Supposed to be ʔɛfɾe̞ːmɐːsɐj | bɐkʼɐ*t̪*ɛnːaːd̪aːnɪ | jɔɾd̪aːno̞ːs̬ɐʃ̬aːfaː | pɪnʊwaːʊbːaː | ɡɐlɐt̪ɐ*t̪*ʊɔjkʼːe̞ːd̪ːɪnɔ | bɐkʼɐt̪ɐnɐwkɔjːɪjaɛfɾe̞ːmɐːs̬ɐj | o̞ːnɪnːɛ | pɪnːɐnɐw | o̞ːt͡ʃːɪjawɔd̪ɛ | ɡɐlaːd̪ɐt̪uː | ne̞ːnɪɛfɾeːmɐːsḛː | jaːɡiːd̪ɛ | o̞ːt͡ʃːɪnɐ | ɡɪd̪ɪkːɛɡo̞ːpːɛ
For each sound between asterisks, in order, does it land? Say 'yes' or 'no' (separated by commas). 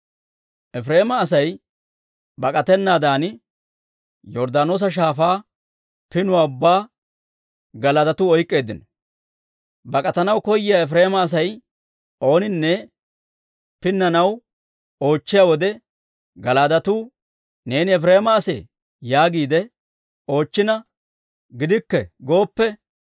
yes, yes